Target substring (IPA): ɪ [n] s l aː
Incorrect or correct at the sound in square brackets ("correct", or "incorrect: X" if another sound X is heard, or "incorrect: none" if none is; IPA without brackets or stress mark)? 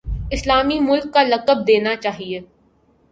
incorrect: none